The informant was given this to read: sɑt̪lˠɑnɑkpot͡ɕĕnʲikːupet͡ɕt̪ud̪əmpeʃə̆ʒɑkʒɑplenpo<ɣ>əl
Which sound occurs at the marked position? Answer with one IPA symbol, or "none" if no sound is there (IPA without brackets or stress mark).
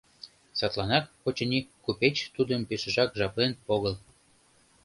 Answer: ɣ